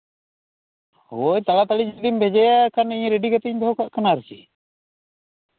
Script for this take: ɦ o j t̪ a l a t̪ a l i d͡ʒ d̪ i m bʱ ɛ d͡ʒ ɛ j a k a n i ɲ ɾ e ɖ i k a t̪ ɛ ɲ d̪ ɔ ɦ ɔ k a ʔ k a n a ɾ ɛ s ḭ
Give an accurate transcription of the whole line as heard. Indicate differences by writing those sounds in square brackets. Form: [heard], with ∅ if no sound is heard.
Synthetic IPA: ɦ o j t̪ a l a t̪ a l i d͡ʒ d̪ i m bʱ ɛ d͡ʒ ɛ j a k a n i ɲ ɾ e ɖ i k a t̪ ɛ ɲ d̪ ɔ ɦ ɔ k a ʔ k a n a ɾ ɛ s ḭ